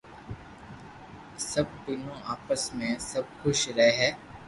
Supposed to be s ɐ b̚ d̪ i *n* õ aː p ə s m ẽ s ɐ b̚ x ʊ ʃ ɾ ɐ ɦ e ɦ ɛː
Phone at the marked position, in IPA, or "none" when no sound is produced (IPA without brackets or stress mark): n